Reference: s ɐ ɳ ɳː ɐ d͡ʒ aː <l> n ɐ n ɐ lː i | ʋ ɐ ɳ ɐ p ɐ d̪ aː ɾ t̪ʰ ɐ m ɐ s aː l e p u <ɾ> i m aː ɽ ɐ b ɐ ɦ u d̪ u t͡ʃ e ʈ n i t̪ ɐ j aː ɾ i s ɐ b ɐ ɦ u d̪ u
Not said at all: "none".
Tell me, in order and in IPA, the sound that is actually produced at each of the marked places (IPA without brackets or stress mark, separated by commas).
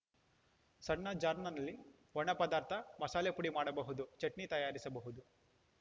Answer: ɾ, ɽ